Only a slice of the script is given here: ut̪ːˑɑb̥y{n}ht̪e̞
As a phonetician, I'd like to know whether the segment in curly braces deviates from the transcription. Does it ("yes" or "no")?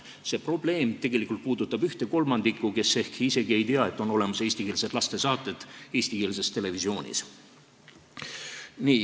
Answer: yes